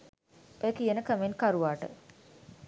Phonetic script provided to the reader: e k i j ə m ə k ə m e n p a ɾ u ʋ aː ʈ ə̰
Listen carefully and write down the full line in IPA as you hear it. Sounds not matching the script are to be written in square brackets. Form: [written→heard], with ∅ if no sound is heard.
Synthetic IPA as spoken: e k i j ə [m→n] ə k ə m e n [p→k] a ɾ u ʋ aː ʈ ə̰